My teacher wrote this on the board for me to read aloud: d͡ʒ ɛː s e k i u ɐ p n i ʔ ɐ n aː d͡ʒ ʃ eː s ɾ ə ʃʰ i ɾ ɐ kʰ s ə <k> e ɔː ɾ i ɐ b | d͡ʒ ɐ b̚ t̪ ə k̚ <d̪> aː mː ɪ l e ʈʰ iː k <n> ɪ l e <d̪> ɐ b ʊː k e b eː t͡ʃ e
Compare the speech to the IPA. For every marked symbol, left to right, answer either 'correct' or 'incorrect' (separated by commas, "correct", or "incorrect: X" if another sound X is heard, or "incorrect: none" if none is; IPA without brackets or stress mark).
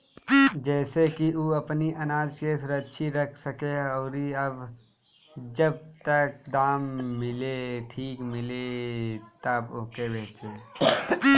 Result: correct, correct, incorrect: m, incorrect: t̪